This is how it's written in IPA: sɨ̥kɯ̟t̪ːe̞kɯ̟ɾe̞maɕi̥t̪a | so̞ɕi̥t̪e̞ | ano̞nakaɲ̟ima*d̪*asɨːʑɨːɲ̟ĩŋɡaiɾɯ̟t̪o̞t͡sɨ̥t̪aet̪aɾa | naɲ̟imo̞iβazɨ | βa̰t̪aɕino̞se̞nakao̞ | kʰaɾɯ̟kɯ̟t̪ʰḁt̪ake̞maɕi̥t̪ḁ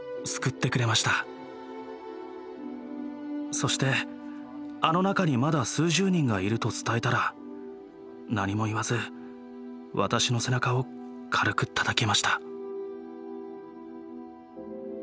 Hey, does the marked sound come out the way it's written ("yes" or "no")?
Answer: yes